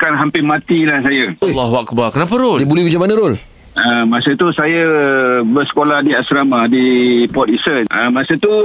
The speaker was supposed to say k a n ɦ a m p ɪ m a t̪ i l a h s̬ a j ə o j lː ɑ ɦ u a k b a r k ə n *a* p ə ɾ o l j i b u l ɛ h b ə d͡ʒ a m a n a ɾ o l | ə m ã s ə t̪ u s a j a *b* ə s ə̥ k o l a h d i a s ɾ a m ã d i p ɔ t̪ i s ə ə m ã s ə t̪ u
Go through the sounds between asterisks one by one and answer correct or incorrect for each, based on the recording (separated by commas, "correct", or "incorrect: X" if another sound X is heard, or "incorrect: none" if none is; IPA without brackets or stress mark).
correct, correct